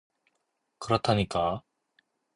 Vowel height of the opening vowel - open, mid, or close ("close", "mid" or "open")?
close